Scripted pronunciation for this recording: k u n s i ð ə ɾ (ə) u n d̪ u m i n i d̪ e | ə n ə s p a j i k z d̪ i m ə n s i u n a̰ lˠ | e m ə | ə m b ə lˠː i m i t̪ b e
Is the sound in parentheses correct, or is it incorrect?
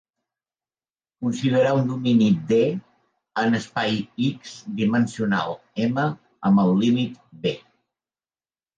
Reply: incorrect